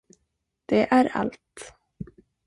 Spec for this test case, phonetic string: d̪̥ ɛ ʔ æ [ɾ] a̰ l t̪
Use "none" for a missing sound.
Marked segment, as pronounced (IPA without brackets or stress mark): ɾ